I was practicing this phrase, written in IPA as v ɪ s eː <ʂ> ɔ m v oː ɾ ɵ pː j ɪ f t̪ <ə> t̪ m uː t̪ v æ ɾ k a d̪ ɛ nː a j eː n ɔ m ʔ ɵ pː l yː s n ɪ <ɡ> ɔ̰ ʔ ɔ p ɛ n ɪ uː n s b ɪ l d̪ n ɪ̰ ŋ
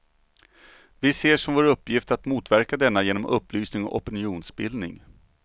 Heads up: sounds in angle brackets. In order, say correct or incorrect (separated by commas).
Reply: correct, incorrect, incorrect